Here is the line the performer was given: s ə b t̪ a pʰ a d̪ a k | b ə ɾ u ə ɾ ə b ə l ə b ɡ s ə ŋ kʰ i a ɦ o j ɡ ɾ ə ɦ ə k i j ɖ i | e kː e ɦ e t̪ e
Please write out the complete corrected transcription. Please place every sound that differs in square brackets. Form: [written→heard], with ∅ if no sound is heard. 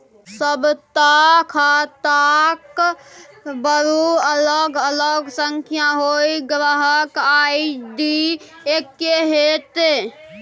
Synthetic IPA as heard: s ə b t̪ a [pʰ→kʰ] a [d̪→t̪] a k | b ə ɾ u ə [ɾ→l] ə [b→ɡ] ə l ə [b→∅] ɡ s ə ŋ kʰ [i→j] a ɦ o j ɡ ɾ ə ɦ ə k [i→a] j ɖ i | e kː e ɦ e t̪ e